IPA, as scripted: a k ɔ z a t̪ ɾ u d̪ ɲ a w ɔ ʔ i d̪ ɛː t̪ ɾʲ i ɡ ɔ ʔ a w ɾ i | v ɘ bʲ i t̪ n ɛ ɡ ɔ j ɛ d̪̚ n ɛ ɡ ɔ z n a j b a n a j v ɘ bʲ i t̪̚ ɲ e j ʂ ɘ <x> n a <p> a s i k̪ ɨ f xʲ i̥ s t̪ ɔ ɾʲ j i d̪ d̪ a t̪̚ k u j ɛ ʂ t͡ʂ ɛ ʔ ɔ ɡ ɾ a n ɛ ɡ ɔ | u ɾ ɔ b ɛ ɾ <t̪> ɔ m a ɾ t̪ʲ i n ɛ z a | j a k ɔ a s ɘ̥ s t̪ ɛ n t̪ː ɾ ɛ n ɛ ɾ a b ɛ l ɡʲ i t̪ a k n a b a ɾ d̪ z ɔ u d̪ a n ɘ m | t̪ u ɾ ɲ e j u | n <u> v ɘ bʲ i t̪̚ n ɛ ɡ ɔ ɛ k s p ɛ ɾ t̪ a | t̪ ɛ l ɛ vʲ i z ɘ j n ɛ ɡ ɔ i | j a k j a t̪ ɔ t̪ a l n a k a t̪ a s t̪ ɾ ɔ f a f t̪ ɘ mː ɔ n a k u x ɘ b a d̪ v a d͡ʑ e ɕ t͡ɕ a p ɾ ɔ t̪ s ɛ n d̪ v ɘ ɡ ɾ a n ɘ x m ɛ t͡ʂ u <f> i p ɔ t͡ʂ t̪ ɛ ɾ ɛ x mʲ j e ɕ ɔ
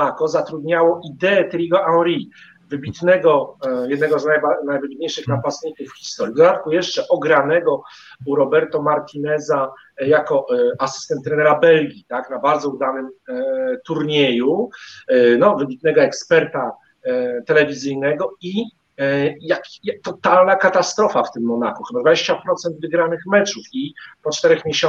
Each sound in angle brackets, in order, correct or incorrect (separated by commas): correct, correct, correct, incorrect, correct